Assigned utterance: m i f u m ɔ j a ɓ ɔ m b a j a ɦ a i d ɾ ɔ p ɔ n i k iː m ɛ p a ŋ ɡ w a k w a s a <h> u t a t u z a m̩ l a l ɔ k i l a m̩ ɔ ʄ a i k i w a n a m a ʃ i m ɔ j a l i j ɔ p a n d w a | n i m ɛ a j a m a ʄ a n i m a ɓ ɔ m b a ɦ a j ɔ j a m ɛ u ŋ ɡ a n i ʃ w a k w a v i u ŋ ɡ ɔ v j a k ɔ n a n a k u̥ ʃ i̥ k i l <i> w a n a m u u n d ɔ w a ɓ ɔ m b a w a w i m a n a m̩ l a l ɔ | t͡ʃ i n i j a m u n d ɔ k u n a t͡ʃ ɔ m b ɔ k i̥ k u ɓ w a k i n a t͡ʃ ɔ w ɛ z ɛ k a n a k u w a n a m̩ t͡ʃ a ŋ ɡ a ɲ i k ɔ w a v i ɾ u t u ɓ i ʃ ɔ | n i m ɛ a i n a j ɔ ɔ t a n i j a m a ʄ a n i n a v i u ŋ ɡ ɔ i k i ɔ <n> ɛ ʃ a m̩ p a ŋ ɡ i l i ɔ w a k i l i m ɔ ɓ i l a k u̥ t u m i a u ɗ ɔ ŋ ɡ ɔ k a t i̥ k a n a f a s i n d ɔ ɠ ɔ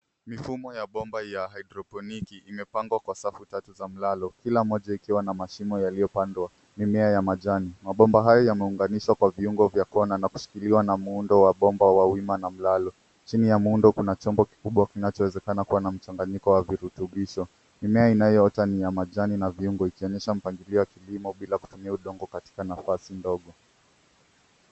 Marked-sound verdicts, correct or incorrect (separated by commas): incorrect, correct, incorrect